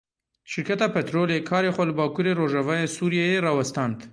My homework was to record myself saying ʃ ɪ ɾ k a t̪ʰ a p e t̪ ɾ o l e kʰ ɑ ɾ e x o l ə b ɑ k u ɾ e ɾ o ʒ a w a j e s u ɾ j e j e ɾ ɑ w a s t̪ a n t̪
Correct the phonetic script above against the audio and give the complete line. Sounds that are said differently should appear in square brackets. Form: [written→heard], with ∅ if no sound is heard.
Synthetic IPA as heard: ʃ ɪ ɾ k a [t̪ʰ→t̪] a p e t̪ ɾ o l e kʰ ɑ ɾ e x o l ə b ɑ k u ɾ e ɾ o ʒ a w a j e s u ɾ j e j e ɾ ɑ w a s t̪ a n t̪